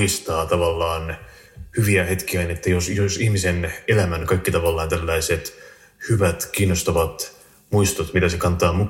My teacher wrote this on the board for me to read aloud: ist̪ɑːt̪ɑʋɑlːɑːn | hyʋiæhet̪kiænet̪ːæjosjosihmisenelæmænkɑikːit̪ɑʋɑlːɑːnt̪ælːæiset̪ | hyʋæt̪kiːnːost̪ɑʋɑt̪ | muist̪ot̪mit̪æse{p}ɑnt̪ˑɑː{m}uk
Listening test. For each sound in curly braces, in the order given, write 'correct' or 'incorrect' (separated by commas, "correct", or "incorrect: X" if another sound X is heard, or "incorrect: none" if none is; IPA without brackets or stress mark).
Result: incorrect: k, correct